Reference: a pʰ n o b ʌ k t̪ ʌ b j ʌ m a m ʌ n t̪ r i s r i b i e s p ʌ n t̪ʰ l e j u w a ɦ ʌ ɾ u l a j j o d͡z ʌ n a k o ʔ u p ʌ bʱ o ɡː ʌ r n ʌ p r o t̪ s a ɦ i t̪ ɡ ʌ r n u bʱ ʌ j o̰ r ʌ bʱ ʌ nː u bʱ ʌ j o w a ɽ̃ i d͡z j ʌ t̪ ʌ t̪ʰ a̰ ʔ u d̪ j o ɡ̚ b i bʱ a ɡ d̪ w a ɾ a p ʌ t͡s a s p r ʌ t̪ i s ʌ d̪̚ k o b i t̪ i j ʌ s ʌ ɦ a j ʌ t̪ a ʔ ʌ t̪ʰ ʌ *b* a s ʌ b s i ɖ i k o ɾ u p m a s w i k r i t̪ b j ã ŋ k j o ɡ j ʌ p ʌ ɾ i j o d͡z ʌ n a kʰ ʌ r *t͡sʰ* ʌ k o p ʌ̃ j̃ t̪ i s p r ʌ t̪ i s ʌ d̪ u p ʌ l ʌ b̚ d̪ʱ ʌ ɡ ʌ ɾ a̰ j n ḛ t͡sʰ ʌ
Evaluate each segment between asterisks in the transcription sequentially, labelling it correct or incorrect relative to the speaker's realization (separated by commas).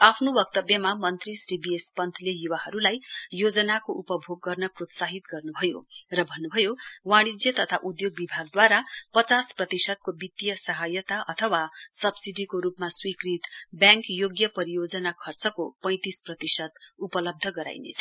incorrect, incorrect